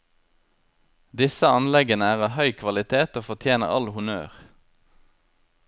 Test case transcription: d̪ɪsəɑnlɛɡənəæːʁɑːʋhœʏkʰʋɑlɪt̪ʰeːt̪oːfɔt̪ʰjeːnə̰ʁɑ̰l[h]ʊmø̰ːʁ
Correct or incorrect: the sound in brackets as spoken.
correct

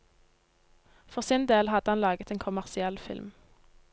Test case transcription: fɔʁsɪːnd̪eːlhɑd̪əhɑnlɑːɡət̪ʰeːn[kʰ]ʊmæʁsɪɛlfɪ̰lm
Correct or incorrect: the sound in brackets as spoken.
correct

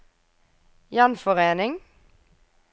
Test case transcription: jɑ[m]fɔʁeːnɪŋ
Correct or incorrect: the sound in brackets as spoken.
incorrect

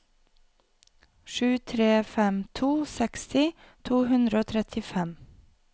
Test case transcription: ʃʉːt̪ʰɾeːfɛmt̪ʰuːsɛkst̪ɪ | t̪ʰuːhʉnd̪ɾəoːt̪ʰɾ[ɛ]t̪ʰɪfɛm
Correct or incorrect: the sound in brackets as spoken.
correct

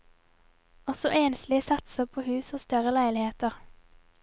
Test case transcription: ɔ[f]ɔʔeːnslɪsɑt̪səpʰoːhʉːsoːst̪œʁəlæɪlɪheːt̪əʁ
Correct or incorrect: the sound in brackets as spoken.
incorrect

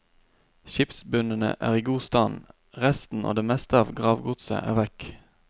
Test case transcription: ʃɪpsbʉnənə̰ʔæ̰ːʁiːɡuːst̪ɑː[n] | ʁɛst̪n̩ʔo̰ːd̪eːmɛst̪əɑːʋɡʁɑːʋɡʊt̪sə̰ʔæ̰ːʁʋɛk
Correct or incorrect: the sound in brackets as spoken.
correct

